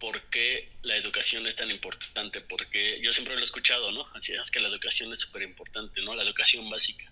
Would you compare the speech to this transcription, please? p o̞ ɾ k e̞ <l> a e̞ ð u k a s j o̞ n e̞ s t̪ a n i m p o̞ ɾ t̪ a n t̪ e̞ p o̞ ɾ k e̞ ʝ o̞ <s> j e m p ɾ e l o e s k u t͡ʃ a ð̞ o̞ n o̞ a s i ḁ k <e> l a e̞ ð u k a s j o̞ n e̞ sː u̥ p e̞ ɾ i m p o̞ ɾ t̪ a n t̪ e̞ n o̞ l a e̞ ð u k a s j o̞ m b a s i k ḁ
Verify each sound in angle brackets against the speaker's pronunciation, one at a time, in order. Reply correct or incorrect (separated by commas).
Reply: correct, correct, correct